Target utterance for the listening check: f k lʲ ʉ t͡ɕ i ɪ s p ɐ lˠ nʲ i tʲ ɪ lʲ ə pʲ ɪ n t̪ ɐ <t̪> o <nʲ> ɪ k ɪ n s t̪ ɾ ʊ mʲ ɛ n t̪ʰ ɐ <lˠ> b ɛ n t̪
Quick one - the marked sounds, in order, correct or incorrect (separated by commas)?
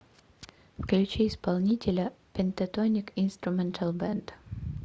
correct, correct, correct